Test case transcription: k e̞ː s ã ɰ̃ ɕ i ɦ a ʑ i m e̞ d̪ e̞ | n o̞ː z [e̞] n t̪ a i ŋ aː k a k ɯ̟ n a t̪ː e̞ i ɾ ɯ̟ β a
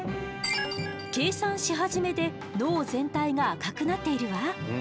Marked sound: incorrect: ẽ̞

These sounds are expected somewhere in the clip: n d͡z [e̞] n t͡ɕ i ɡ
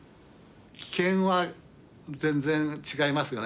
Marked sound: incorrect: ẽ̞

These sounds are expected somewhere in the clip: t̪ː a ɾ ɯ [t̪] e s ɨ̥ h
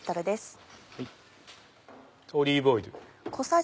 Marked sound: incorrect: d̪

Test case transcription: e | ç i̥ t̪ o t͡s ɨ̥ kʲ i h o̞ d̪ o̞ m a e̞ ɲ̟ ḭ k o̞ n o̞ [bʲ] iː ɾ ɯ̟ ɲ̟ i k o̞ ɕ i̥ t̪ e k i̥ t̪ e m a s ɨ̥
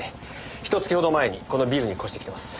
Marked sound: correct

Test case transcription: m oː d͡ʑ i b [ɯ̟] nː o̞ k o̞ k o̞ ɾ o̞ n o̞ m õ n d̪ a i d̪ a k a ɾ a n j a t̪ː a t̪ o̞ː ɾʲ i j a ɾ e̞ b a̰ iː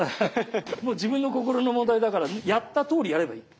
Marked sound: incorrect: ɯ̟̃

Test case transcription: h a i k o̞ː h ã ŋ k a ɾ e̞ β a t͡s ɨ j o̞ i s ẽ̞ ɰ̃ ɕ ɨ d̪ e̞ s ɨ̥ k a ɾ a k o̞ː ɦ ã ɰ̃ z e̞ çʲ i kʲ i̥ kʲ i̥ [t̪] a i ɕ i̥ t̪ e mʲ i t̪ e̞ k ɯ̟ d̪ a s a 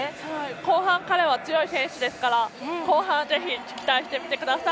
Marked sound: correct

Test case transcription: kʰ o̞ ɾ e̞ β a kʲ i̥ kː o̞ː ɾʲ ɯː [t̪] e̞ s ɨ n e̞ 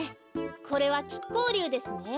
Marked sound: incorrect: d̪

